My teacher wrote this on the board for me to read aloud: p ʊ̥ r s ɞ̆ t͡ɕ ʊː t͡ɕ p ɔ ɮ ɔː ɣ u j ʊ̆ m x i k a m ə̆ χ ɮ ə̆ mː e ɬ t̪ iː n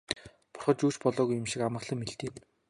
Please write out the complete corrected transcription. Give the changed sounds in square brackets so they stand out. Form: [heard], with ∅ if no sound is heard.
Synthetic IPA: p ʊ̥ r [χ] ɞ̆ t͡ɕ [uː] t͡ɕ p ɔ ɮ ɔː ɣ u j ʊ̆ m [ʃ] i k a m ə̆ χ ɮ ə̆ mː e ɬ t̪ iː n